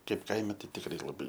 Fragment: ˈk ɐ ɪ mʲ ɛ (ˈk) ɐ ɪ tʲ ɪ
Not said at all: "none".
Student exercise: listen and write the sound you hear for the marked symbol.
t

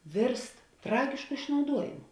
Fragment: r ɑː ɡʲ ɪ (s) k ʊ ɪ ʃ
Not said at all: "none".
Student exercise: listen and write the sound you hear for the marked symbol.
ʃ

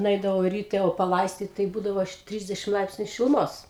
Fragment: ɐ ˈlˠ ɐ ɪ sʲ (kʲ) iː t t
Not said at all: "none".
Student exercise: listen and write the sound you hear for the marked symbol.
tʲ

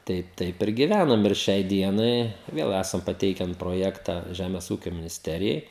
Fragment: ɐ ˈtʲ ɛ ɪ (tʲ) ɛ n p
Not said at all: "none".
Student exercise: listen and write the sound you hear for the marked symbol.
kʲ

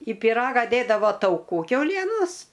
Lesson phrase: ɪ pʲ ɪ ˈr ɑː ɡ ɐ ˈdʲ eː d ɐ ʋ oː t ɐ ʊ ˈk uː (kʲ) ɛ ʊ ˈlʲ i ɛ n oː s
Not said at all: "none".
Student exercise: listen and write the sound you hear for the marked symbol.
kʲ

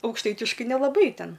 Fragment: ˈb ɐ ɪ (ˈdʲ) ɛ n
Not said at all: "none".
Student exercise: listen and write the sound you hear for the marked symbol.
tʲ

